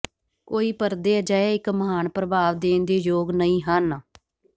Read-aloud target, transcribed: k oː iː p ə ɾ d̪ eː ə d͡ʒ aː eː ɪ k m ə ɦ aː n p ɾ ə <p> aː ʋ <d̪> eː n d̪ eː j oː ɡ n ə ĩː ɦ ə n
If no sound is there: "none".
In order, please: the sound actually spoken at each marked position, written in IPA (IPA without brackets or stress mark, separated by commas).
b, d̪